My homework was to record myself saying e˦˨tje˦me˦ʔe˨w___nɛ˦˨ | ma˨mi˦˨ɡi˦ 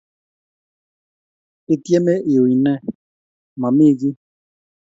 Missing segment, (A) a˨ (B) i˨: B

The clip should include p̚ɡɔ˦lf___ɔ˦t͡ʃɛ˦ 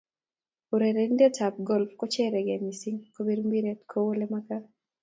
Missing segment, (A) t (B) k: B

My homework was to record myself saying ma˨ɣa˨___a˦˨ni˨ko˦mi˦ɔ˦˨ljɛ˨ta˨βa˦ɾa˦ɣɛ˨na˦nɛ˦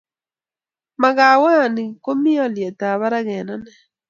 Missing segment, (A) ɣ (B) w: B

